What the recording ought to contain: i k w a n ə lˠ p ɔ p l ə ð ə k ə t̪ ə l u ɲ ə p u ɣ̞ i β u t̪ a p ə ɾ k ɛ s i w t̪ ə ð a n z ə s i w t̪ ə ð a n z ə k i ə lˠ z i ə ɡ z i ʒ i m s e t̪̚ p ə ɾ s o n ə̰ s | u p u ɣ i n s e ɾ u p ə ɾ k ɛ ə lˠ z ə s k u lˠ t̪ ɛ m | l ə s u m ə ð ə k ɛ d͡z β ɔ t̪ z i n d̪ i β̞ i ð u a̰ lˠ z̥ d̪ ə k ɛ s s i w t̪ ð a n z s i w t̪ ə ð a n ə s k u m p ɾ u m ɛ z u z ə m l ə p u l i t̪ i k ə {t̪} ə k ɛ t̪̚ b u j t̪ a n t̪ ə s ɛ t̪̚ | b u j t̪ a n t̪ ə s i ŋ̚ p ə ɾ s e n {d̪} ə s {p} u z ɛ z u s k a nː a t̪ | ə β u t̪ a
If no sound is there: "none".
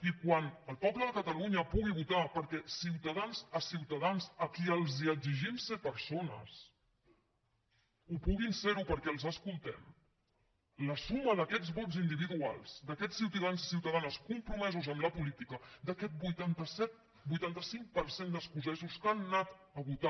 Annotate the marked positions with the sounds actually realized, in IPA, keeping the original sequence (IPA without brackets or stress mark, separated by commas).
d̪, d̪, k